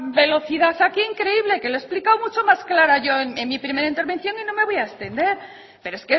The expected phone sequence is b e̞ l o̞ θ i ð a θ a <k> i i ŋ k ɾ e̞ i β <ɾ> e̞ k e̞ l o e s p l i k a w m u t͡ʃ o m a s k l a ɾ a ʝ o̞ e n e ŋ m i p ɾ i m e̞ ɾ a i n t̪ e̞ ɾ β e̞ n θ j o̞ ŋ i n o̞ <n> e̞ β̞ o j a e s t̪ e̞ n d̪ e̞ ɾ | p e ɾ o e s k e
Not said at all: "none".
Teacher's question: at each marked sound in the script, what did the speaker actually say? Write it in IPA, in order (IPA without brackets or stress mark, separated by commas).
k, l, m